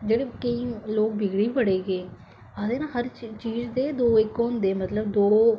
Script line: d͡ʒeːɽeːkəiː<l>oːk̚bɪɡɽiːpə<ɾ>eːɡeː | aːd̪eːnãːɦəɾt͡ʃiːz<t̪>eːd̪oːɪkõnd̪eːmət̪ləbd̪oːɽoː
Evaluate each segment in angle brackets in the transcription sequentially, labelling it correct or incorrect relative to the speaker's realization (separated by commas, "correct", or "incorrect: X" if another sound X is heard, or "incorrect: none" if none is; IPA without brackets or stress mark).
correct, incorrect: ɽ, incorrect: d̪